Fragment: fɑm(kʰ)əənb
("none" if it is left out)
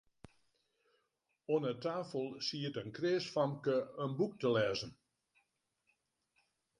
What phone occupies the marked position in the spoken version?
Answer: k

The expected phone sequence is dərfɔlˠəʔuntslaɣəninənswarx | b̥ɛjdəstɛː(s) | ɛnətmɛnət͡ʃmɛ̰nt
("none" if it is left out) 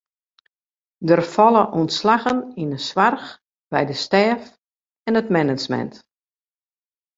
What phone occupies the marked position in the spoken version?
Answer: f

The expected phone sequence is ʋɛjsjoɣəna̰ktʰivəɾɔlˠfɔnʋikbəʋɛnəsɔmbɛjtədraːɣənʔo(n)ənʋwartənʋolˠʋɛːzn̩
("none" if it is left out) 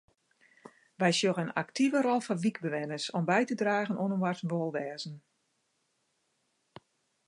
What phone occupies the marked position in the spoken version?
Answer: n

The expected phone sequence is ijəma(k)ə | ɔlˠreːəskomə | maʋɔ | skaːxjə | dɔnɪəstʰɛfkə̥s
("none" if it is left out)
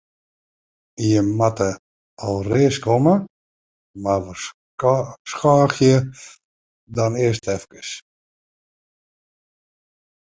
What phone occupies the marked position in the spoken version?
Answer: t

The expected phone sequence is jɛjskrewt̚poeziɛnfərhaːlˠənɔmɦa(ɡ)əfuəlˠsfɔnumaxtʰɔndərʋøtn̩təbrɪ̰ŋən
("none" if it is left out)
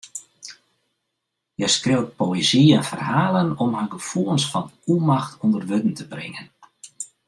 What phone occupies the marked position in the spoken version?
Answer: ɡ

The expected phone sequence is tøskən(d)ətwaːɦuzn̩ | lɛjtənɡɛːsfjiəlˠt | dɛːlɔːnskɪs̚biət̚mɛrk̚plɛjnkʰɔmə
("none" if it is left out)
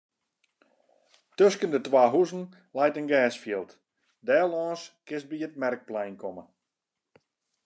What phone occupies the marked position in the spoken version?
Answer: d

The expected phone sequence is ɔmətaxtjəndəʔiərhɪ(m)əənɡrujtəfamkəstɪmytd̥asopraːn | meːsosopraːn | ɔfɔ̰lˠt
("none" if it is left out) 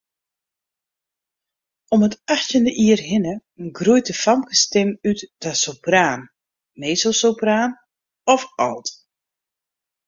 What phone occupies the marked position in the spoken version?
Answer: n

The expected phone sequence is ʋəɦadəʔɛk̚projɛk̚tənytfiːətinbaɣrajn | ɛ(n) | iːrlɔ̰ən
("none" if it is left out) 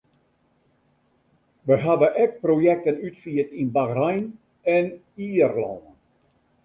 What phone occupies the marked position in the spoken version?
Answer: n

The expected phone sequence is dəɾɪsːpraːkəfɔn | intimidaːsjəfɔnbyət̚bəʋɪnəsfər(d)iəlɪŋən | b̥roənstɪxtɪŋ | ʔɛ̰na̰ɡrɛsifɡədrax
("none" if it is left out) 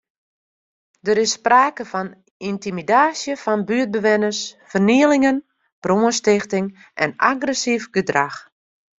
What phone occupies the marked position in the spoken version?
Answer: n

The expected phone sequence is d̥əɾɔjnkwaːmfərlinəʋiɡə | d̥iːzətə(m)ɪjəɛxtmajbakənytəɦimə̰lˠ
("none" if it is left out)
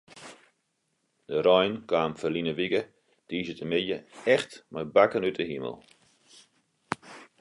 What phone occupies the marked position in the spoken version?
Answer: m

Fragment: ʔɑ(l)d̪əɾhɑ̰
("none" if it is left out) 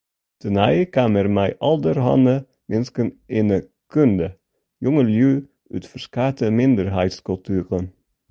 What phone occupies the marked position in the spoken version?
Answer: l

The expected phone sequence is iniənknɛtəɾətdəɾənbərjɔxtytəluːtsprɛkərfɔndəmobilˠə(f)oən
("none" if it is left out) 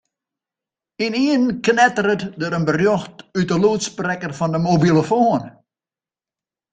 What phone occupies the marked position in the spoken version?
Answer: f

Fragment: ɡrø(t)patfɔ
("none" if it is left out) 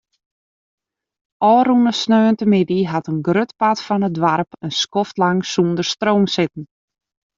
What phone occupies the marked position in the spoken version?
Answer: t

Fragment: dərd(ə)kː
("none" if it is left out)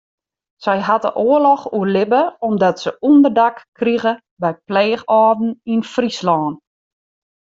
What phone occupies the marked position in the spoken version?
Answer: a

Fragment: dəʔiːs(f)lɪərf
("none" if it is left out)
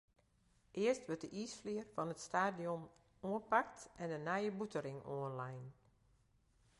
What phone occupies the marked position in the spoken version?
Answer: f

